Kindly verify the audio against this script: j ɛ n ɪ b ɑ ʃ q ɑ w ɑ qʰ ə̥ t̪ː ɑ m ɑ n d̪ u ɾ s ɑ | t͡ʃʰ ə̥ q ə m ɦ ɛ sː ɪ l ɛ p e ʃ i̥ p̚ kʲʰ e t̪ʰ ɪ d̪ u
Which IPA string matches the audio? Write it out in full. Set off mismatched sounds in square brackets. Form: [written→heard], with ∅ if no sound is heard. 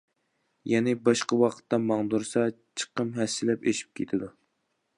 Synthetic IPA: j ɛ n ɪ b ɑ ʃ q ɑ w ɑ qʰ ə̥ t̪ː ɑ m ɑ [n→ŋ] d̪ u ɾ s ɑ | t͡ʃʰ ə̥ q ə m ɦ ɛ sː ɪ l ɛ p e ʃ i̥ p̚ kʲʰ e t̪ʰ ɪ d̪ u